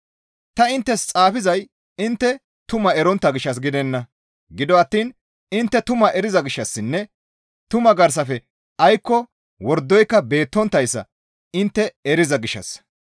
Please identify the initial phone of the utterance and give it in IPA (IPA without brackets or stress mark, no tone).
t̪